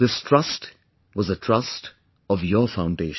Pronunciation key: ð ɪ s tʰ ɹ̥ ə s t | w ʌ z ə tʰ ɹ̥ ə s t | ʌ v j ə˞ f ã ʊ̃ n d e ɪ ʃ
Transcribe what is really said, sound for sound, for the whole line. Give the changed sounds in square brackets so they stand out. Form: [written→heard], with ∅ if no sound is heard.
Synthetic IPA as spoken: ð ɪ s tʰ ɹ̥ [ə→ʌ] s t | w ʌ z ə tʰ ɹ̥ [ə→ʌ] s t | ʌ v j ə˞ f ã ʊ̃ n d e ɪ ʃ